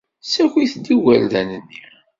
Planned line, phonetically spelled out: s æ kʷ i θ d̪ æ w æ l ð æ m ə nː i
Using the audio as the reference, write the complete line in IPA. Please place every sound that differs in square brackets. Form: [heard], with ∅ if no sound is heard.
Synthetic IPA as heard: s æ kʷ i θ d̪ [i] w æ l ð æ [n] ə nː i